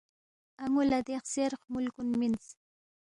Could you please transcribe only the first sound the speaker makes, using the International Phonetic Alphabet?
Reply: a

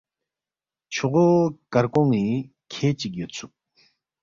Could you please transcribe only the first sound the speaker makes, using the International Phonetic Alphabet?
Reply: t͡ɕʰ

